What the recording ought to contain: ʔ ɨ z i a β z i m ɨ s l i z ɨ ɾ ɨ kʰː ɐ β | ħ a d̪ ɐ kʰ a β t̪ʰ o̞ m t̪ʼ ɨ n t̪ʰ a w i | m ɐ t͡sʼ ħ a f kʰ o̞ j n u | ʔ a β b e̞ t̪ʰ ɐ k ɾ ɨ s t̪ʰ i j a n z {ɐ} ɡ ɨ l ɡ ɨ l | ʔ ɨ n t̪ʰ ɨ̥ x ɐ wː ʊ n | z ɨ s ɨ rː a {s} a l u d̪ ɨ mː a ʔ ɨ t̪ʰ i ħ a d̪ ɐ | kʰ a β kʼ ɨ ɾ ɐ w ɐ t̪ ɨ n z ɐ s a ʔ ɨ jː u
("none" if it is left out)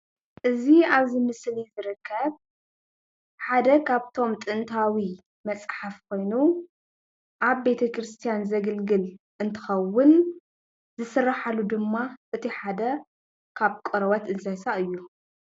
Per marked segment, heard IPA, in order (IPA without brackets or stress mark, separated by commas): ɐ, ħ